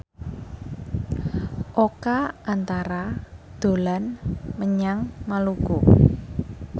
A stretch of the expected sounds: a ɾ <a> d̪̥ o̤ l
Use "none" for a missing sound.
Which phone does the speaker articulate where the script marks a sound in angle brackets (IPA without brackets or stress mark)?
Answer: a